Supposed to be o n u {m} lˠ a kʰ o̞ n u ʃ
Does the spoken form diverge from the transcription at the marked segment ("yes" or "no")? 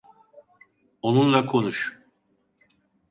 yes